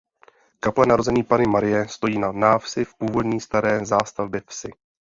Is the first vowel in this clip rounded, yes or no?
no